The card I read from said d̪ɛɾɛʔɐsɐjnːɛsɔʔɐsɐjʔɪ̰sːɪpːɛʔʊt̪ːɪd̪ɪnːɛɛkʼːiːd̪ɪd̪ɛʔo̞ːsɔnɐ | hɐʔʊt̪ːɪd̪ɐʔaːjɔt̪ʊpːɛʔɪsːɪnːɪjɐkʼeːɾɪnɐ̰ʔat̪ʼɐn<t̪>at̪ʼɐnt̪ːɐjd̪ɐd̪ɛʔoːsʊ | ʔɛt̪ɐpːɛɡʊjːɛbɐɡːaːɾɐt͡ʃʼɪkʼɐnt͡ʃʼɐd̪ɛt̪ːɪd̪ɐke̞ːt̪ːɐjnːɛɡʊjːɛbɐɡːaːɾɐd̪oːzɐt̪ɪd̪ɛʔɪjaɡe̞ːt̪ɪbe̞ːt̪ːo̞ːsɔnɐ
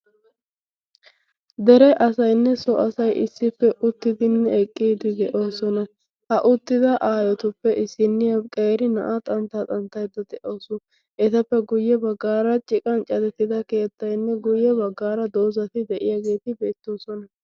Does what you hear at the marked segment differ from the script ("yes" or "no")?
no